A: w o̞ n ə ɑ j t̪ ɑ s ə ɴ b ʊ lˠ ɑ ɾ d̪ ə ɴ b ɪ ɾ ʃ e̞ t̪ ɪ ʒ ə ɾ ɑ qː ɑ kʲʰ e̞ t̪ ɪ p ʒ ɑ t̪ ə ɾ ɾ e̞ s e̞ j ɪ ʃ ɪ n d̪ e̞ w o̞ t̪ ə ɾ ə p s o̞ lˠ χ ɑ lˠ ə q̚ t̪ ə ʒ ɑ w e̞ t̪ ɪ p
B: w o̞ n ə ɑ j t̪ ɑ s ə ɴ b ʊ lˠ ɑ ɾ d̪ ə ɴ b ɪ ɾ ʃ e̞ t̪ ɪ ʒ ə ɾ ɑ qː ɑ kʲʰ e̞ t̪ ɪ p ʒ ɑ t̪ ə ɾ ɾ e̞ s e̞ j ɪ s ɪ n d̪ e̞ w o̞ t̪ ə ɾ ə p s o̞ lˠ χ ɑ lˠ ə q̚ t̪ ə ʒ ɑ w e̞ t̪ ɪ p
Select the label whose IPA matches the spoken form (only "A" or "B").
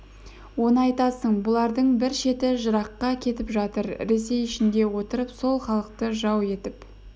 A